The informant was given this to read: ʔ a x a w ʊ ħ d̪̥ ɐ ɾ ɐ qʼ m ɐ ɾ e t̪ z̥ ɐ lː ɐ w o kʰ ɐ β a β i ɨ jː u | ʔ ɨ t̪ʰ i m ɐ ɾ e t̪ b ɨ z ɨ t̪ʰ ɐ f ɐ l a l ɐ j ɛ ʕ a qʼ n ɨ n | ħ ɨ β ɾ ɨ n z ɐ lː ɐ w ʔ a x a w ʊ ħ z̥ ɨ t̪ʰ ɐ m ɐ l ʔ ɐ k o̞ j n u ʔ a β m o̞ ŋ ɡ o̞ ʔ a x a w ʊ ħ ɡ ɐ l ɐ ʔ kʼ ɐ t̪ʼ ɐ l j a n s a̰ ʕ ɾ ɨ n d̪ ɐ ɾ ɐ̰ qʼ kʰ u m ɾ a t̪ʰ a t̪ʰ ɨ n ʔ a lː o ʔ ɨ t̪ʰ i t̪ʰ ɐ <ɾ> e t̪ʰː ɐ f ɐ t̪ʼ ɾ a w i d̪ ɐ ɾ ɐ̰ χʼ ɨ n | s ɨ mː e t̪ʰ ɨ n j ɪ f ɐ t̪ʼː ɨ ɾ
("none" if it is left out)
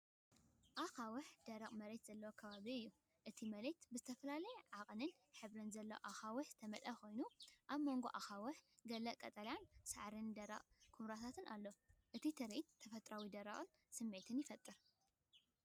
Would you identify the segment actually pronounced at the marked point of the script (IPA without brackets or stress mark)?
ɾ